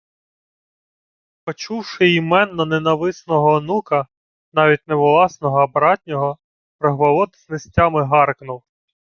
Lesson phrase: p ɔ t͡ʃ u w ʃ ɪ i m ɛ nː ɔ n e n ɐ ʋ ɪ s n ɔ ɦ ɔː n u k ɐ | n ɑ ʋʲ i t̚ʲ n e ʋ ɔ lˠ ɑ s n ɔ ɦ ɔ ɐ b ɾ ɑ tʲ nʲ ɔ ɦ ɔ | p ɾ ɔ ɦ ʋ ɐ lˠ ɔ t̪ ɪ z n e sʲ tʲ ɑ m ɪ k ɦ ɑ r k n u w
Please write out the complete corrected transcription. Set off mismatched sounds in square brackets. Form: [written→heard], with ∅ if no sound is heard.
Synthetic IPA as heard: p ɔ t͡ʃ u w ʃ ɪ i m ɛ nː ɔ n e n ɐ ʋ ɪ s n ɔ ɦ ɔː n u k ɐ | n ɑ ʋʲ i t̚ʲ n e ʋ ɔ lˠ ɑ s n ɔ ɦ ɔ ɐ b ɾ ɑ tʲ nʲ ɔ ɦ ɔ | p ɾ ɔ ɦ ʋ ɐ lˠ ɔ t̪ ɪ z n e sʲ tʲ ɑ m ɪ [k→∅] ɦ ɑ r k n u w